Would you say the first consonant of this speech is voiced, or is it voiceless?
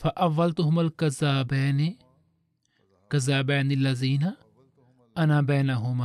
voiceless